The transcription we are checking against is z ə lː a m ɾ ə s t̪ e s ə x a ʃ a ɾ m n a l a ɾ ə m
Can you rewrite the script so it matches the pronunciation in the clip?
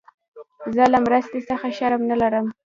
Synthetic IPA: z ə l a m ɾ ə s t̪ e s ə x a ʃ a ɾ m n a l a ɾ ə m